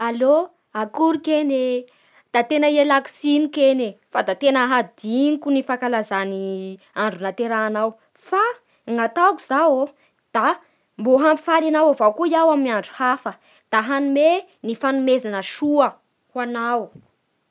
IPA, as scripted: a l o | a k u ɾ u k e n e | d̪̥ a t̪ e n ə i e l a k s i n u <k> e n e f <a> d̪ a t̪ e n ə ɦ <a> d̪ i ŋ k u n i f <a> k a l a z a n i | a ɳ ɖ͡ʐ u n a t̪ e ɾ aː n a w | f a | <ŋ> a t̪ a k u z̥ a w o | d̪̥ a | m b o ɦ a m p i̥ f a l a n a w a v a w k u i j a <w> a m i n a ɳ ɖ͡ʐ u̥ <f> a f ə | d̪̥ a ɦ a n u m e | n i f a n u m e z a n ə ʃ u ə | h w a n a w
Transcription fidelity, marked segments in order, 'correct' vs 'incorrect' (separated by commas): correct, correct, correct, correct, correct, correct, incorrect